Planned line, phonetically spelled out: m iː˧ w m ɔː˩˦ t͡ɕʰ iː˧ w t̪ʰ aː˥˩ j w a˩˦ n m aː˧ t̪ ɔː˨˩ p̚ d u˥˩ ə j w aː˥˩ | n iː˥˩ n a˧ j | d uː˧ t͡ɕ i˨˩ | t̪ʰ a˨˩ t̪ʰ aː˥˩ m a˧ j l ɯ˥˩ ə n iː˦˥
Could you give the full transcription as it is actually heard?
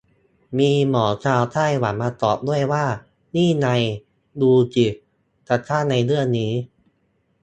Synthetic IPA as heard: m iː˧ m ɔː˩˦ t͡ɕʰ aː˧ w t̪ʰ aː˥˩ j w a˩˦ n m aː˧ t̪ ɔː˨˩ p̚ d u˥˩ ə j w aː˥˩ | n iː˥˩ n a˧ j | d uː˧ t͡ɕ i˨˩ | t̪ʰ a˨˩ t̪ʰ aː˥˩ n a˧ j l ɯ˥˩ ə n iː˦˥